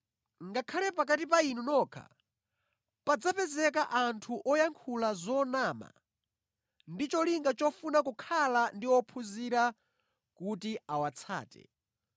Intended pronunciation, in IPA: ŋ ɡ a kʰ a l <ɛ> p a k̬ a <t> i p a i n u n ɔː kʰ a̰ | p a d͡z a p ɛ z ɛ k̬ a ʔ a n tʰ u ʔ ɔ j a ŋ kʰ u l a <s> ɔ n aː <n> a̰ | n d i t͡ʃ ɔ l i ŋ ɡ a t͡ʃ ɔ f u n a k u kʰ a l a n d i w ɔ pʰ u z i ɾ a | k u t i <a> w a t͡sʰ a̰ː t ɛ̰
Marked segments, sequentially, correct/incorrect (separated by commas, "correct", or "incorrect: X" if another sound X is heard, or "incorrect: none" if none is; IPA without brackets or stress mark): correct, correct, incorrect: z, incorrect: m, correct